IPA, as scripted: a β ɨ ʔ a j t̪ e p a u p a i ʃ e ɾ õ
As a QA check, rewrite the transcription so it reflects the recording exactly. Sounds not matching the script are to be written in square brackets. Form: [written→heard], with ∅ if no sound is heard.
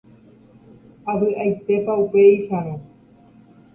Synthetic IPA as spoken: a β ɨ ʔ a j t̪ e p a u p [a→e] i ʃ [e→a] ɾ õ